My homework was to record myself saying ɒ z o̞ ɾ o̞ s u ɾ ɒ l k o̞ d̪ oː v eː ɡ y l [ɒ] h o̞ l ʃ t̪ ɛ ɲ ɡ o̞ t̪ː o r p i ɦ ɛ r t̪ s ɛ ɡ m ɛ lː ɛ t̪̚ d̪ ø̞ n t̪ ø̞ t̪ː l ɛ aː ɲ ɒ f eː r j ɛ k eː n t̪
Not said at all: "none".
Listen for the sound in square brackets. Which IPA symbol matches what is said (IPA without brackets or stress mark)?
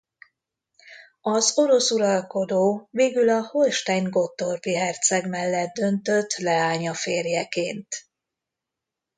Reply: ɒ